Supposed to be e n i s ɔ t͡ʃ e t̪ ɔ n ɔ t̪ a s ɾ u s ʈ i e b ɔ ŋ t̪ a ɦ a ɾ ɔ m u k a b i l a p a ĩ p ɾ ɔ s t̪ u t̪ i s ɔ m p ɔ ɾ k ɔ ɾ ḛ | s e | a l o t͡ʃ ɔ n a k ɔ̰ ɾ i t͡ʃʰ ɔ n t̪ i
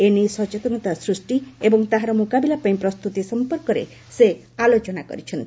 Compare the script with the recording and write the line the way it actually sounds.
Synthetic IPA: e n i s ɔ t͡ʃ e t̪ ɔ n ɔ t̪ a s ɾ u s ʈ i e b ɔ ŋ t̪ a ɦ a ɾ ɔ m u k a b i l a p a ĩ p ɾ ɔ s t̪ u t̪ i s ɔ m p ɔ ɾ k ɔ ɾ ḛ | s e | a l o t͡ʃ ɔ n a k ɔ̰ ɾ i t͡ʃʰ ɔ n t̪ i